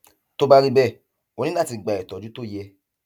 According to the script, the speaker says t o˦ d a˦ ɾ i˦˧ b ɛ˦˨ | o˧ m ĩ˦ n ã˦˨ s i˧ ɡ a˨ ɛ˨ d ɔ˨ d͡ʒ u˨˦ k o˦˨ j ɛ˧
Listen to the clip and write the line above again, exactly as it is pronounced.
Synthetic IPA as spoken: t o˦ b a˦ ɾ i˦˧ b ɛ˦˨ | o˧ n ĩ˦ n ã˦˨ t i˧ ɡ͡b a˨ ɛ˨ t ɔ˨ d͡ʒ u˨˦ t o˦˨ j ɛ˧